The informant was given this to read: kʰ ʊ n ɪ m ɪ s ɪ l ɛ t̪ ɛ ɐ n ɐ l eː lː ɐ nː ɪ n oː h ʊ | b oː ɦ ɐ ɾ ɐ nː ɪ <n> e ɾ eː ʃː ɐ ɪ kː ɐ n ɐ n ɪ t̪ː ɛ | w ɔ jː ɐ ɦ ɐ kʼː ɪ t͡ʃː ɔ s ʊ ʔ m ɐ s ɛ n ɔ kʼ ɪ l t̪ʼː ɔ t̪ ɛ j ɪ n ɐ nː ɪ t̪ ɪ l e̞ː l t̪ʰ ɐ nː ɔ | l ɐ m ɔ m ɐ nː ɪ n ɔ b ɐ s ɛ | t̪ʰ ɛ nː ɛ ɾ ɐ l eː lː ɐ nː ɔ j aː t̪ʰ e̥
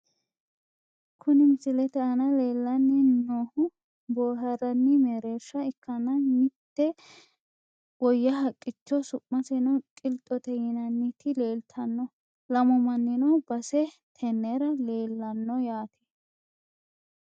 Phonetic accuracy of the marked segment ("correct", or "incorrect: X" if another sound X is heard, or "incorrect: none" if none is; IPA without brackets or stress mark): incorrect: m